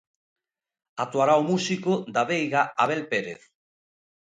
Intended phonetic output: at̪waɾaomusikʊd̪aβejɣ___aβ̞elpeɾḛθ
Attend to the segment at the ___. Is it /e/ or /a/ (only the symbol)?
a